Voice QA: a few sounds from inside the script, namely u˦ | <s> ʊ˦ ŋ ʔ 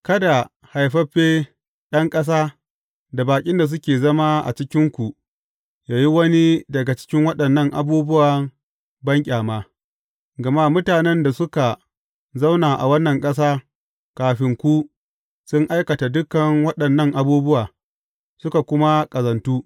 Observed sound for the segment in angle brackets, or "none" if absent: s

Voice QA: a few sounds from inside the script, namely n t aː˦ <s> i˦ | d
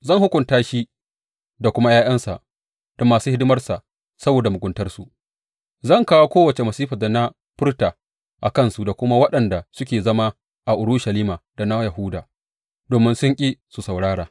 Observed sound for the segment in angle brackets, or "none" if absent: ʃ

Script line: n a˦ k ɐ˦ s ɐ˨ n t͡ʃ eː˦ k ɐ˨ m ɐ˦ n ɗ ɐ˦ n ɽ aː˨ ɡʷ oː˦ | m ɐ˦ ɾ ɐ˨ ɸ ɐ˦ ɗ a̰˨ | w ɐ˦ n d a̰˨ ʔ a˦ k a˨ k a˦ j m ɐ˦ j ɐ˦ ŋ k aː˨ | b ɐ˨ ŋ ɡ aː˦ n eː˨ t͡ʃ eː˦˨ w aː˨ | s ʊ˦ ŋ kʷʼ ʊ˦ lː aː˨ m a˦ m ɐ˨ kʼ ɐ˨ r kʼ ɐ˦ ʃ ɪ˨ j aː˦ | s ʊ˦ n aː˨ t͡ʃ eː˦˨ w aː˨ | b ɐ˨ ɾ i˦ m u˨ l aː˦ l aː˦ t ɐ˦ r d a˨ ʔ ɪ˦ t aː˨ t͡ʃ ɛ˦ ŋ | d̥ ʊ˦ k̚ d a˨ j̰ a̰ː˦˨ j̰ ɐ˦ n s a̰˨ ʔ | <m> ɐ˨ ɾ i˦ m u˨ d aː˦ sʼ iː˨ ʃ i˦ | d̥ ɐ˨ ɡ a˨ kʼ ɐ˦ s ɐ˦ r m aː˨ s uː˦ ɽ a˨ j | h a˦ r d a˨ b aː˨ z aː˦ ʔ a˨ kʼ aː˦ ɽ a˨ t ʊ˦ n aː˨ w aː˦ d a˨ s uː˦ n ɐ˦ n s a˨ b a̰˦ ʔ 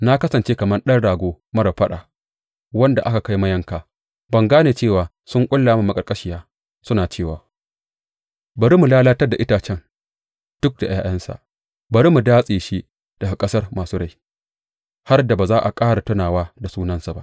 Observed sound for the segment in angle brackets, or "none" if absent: b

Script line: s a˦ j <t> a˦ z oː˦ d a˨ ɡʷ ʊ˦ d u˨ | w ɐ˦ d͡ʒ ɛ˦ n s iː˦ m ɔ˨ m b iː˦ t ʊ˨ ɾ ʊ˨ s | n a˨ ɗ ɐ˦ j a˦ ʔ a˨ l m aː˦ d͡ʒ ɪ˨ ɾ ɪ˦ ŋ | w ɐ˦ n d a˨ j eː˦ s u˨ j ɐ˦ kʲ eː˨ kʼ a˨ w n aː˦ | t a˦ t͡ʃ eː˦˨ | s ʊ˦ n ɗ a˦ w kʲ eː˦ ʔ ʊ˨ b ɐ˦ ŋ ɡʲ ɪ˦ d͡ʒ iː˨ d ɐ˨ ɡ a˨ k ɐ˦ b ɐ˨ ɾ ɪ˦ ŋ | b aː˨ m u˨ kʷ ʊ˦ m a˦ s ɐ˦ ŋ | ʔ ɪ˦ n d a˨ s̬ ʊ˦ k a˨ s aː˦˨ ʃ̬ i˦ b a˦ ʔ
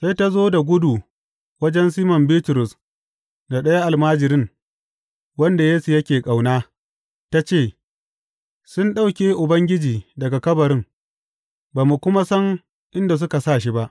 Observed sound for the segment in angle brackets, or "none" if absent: t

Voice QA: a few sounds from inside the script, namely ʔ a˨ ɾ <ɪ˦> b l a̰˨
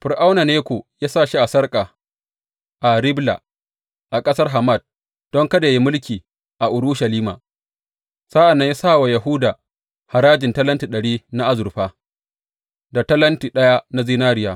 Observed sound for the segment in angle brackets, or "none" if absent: ɪ˦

